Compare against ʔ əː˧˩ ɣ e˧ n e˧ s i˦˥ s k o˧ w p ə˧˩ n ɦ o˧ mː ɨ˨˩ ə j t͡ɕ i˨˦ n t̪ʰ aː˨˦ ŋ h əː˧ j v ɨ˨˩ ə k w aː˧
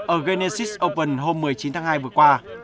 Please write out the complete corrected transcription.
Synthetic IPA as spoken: ʔ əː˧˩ ɣ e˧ n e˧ s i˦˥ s ʔ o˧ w p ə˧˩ n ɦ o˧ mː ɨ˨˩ ə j t͡ɕ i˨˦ n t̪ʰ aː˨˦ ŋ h aː˧ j v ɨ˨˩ ə k w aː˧